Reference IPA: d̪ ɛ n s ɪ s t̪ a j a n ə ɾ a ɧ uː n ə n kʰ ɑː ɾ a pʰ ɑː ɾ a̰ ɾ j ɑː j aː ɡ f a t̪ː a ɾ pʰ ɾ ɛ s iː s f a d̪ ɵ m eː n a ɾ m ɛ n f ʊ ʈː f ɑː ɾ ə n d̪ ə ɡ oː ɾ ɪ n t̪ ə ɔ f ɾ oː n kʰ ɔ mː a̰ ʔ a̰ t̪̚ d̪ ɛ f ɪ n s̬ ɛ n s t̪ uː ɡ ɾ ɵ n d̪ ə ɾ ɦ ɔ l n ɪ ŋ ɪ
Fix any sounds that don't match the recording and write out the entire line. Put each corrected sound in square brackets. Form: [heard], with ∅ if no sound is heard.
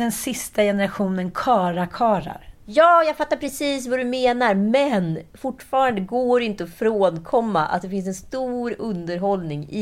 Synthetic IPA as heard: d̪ ɛ n s ɪ s t̪ a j [ɛ] n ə ɾ a ɧ uː n ə n kʰ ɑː ɾ a [kʰ] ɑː ɾ a̰ ɾ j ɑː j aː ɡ f a t̪ː a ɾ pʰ ɾ ɛ s iː s [v] a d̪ ɵ m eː n a ɾ m ɛ n f ʊ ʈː f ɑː ɾ [a] n d̪ ə ɡ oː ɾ ɪ n t̪ ə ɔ f ɾ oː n kʰ ɔ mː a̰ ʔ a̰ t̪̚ d̪ ɛ f ɪ n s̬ ɛ n s t̪ uː [∅] ɾ ɵ n d̪ ə ɾ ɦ ɔ l n ɪ ŋ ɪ